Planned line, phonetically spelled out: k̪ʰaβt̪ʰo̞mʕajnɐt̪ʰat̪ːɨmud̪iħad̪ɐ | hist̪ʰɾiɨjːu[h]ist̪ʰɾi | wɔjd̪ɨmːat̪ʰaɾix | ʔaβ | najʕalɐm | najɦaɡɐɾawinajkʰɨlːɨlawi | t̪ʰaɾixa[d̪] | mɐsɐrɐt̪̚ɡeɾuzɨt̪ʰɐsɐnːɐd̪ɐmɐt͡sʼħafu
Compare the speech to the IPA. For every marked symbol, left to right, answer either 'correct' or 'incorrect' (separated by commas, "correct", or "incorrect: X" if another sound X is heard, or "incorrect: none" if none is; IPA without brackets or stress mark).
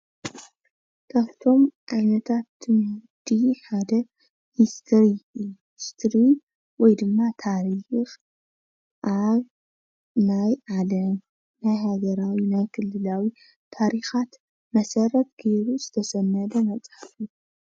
correct, incorrect: t̪